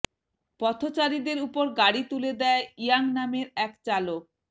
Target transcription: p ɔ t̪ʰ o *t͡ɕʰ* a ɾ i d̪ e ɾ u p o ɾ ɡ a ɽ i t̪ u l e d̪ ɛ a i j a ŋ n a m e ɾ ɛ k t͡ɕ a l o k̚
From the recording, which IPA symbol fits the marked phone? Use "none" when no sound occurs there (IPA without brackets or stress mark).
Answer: t͡ɕ